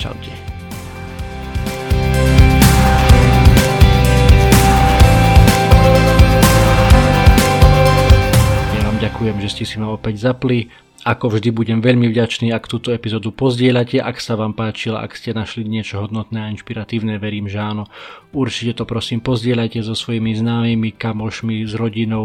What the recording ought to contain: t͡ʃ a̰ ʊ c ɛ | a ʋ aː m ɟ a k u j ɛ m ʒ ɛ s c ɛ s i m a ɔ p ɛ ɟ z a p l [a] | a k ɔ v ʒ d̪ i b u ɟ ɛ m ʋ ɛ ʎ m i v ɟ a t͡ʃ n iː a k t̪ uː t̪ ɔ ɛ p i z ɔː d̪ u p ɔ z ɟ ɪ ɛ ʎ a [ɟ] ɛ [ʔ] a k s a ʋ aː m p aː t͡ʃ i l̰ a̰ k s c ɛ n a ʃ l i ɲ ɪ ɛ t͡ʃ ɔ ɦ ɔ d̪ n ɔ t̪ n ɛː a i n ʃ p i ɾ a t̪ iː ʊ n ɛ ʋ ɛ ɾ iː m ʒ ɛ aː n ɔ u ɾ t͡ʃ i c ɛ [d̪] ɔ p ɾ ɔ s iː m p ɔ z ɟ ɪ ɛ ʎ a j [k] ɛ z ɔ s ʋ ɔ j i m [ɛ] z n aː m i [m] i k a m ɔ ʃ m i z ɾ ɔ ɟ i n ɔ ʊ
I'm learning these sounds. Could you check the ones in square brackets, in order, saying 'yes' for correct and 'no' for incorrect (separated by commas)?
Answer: no, no, yes, no, no, no, yes